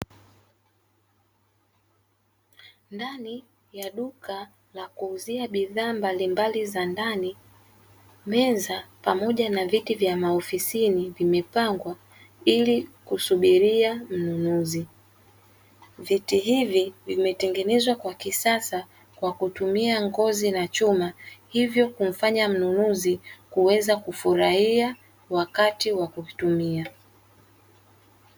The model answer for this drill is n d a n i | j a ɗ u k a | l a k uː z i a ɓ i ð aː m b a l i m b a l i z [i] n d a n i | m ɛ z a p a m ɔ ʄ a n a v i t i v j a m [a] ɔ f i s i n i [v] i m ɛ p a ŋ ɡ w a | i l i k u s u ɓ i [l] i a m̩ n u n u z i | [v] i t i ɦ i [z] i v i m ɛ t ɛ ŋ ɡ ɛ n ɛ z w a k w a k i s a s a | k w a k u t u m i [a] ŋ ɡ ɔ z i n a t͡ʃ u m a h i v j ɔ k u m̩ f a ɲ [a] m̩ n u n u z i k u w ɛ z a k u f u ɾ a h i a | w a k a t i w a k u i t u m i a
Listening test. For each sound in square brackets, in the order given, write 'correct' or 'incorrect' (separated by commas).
incorrect, correct, correct, incorrect, correct, incorrect, correct, correct